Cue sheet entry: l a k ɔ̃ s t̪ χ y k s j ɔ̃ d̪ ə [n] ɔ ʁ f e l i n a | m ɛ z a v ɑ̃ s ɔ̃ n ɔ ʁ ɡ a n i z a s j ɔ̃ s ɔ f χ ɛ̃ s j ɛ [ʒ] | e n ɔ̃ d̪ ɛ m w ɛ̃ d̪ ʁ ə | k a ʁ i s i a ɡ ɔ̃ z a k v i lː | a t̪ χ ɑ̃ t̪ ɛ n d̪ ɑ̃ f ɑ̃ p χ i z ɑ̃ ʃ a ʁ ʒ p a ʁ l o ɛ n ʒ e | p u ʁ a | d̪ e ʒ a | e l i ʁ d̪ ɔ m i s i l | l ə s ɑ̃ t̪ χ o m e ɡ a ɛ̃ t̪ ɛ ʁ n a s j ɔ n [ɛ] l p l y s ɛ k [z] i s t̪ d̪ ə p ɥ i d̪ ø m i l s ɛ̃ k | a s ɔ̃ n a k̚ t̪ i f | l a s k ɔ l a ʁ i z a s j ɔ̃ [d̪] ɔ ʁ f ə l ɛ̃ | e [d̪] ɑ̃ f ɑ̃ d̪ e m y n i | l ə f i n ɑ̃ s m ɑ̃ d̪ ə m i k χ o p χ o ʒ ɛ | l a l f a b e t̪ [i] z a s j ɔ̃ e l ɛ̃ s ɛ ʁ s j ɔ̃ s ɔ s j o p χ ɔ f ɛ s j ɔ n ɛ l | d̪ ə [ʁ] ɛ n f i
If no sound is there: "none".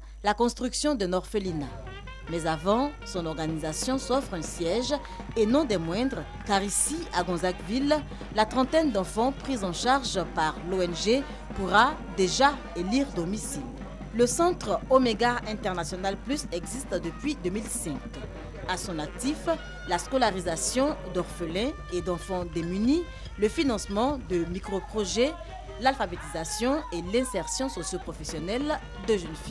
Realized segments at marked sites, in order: n, ʒ, a, z, d̪, d̪, i, ʒ

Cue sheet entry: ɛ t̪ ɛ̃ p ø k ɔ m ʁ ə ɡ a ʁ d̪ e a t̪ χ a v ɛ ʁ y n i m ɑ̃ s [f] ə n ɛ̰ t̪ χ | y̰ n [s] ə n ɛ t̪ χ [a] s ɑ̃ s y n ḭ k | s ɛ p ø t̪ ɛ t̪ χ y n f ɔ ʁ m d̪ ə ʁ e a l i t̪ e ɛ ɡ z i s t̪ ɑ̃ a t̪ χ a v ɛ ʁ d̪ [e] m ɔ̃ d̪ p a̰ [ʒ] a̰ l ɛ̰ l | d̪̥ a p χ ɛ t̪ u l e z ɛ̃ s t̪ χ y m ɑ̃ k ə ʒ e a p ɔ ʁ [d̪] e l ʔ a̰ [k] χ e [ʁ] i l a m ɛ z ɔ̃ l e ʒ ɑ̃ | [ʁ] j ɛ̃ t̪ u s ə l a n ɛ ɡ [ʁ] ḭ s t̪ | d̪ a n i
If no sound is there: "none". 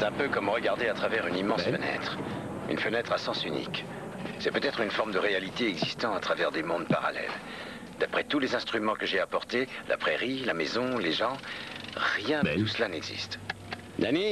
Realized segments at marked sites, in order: f, f, a, e, ʁ, t̪, p, ʁ, ʁ, z

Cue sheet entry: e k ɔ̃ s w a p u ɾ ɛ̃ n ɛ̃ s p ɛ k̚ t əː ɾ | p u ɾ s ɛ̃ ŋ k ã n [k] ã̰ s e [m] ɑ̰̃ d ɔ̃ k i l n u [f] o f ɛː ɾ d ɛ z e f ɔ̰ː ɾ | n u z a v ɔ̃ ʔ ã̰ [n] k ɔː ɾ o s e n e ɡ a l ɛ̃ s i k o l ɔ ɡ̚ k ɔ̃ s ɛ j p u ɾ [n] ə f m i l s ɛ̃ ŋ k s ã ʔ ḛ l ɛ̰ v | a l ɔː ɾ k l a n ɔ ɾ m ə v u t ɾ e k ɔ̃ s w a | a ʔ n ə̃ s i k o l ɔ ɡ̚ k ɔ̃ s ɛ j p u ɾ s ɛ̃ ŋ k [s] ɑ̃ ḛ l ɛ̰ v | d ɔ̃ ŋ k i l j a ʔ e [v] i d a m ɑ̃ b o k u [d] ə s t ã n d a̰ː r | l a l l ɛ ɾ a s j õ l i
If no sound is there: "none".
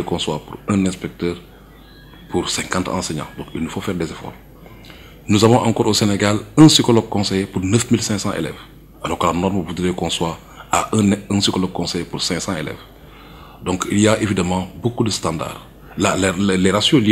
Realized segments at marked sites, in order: t, ɲ, f, ŋ, n, s, v, d

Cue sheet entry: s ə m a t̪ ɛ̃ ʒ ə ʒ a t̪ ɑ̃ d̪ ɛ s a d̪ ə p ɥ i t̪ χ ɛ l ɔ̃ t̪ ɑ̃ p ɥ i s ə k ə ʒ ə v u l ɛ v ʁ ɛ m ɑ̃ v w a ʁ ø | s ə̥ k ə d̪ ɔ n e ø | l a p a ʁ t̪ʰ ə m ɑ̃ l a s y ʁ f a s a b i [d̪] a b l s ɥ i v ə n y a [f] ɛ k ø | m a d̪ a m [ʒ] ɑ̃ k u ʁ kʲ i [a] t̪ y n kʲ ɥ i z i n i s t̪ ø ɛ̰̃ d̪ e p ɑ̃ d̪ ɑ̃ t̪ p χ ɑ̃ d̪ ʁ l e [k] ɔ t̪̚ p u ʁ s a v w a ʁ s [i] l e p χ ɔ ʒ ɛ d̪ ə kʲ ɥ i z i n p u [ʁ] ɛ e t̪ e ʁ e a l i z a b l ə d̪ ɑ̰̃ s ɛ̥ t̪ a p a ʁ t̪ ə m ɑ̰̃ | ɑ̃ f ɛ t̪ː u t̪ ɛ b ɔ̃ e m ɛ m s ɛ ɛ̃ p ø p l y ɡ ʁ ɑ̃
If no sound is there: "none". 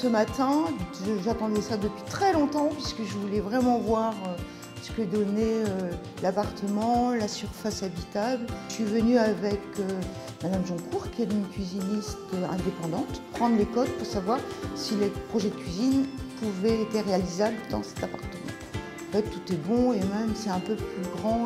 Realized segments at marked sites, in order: t̪, v, ʒ, ɛ, k, i, v

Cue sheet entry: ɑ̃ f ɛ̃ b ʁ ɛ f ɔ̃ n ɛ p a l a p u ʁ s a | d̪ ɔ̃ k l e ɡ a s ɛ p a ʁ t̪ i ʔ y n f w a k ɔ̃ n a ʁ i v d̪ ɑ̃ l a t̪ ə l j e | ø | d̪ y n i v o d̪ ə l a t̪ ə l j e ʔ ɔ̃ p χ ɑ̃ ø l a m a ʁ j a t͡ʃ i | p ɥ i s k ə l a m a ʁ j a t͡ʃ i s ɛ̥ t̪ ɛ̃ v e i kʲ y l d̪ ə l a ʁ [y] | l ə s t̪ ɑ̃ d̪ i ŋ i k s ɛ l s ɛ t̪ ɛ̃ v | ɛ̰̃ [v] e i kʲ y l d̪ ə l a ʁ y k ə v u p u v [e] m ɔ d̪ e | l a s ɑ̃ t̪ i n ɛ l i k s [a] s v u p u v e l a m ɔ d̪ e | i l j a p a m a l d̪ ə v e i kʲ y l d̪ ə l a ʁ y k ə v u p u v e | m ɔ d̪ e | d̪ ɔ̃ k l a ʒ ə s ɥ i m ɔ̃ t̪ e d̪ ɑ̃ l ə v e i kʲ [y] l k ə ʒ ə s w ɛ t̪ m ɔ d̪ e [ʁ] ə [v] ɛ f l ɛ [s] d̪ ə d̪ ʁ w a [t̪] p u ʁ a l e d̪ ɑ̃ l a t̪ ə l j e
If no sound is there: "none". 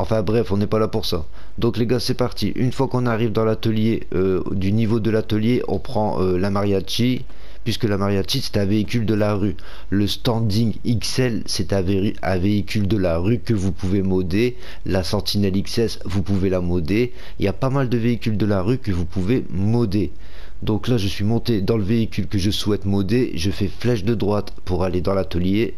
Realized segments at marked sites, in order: y, v, e, ɛ, y, ʒ, f, ʃ, t̪

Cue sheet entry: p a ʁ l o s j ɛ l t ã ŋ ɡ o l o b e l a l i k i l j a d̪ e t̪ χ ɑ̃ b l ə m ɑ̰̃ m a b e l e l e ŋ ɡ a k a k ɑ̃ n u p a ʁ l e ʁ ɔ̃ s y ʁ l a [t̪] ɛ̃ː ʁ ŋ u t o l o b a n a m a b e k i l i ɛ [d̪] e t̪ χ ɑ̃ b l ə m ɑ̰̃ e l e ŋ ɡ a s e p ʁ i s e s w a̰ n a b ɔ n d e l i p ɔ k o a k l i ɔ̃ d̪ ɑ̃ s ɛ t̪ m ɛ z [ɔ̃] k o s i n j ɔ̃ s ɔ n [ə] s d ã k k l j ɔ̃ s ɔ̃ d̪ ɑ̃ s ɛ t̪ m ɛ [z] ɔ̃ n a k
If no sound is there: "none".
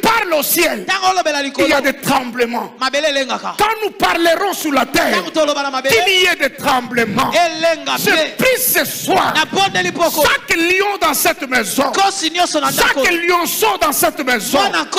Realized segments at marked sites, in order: t̪, d̪, ɔ̃, a, z

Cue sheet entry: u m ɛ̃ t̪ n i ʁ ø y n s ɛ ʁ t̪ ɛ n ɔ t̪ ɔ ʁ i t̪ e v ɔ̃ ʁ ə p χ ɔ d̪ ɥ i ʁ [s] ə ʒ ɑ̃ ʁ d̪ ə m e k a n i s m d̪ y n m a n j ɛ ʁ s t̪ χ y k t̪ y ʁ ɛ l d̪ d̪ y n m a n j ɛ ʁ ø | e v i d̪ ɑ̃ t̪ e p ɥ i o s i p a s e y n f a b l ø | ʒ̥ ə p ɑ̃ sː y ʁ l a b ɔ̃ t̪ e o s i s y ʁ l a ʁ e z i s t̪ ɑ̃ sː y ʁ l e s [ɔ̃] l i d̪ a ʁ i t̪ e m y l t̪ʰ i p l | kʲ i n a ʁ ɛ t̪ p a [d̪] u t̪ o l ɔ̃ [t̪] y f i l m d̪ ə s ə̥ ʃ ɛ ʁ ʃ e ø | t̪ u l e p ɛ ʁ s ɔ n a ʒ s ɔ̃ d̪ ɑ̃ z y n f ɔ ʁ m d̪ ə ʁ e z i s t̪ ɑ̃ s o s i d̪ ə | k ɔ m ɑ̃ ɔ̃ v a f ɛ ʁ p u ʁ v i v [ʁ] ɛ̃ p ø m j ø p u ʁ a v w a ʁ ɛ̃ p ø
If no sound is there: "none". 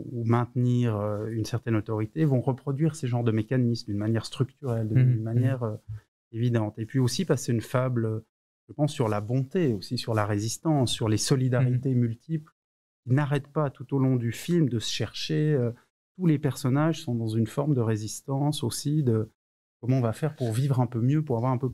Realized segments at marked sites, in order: s, ɔ, t̪, d̪, ʁ

